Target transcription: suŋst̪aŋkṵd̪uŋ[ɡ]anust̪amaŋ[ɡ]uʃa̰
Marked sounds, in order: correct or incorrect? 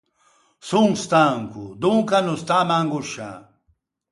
incorrect, correct

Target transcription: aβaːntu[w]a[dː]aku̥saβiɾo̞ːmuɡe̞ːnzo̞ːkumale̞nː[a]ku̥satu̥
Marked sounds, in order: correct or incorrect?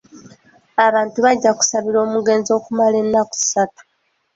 incorrect, incorrect, correct

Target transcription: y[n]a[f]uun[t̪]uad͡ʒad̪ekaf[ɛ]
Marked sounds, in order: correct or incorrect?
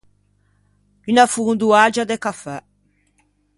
correct, correct, incorrect, correct

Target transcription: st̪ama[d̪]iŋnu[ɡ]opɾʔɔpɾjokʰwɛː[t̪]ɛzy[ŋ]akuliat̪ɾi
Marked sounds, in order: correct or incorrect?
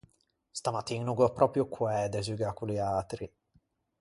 incorrect, correct, incorrect, incorrect

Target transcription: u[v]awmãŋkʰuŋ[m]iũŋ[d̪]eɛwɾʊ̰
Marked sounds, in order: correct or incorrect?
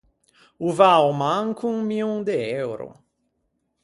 correct, correct, correct

